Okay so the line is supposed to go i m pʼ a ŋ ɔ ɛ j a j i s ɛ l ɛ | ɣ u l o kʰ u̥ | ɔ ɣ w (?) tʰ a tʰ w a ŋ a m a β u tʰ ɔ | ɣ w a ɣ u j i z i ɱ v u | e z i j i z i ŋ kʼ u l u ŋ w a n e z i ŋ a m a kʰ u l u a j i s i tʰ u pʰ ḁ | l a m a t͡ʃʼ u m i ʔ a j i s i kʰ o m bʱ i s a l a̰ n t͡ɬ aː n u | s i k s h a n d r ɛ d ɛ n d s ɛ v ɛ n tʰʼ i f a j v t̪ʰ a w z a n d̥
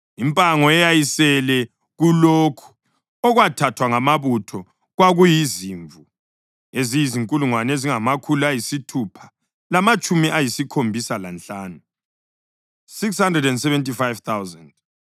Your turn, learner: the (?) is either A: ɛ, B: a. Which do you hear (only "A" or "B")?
B